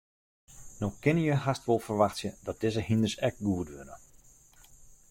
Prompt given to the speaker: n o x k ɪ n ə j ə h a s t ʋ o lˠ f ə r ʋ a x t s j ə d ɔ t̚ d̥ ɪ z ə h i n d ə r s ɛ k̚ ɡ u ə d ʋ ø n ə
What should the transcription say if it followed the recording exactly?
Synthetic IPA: n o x k ɪ n ə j ə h a s t ʋ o lˠ f ə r ʋ a x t s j ə d ɔ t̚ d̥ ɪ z ə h i n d ə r s ɛ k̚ ɡ u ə d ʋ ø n ə